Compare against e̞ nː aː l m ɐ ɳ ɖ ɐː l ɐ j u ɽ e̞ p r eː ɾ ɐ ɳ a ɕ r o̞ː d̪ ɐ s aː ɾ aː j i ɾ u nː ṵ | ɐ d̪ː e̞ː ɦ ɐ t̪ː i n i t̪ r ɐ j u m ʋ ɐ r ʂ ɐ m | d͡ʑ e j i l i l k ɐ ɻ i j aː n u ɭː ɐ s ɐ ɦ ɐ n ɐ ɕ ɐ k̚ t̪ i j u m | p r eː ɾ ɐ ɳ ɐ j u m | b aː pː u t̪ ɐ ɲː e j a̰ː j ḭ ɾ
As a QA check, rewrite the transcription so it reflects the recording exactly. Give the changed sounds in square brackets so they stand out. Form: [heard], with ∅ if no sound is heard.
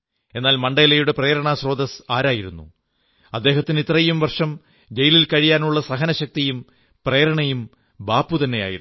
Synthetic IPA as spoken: e̞ nː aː l m ɐ ɳ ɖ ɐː l ɐ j u ɽ e̞ p r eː ɾ ɐ ɳ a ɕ r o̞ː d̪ ɐ s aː ɾ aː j i ɾ u nː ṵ | ɐ d̪ː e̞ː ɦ ɐ t̪ː i n i t̪ r ɐ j u m ʋ ɐ r ʂ ɐ m | d͡ʑ e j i l i l k ɐ ɻ i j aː n u ɭː ɐ s ɐ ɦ ɐ n ɐ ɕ ɐ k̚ t̪ i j u m | p r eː ɾ ɐ ɳ ɐ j u m | b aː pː u t̪ ɐ [nː] e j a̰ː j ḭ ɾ